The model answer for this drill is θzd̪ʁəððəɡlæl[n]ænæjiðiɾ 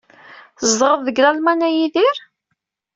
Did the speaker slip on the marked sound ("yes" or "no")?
yes